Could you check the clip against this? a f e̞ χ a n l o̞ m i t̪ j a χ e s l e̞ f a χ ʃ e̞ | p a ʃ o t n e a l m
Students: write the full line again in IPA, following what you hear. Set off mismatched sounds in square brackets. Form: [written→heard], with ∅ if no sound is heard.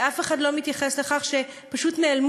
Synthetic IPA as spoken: a f e̞ χ a [n→d] l o̞ m i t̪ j a χ e s l e̞ [f→χ] a χ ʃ e̞ | p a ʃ [o→u] t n e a l m